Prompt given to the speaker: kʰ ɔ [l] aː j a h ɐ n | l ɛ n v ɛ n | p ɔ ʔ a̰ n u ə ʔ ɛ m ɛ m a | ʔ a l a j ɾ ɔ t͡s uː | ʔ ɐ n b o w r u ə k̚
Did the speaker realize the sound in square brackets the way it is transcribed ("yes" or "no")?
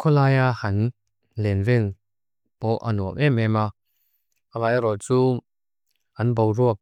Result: yes